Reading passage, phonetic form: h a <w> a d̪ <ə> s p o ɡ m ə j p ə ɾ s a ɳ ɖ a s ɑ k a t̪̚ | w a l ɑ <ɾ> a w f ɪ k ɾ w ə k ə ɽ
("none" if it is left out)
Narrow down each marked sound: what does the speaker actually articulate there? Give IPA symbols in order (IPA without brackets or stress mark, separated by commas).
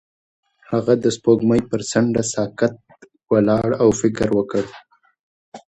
ɣ, ə, ɽ